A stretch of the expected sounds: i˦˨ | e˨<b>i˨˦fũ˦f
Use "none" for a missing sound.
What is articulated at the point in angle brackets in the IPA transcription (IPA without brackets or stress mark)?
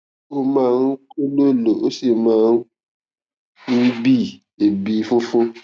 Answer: b